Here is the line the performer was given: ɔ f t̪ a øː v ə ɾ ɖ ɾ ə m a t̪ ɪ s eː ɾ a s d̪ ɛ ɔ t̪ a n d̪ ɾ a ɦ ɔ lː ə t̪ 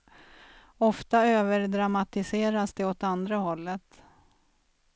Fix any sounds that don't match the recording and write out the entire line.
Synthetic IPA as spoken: ɔ f t̪ a øː v ə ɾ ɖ ɾ a m a t̪ ɪ s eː ɾ a s d̪ ɛ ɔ t̪ a n d̪ ɾ a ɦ ɔ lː ə t̪